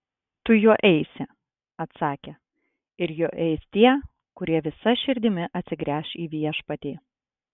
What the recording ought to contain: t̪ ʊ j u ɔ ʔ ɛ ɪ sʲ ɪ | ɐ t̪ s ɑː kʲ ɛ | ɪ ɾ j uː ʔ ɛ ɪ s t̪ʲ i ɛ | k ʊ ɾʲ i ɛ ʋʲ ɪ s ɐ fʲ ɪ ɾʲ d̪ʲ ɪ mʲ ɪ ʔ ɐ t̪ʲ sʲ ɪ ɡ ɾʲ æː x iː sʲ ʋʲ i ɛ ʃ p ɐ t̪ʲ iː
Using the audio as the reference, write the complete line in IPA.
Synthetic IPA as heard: t̪ ʊ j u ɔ ʔ ɛ ɪ sʲ ɪ | ɐ t̪ s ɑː kʲ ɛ | ɪ ɾ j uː ʔ ɛ ɪ s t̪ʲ i ɛ | k ʊ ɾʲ i ɛ ʋʲ ɪ s ɐ ʃʲ ɪ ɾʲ d̪ʲ ɪ mʲ ɪ ʔ ɐ t̪ʲ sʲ ɪ ɡ ɾʲ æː ʃ iː ʋʲ i ɛ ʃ p ɐ t̪ʲ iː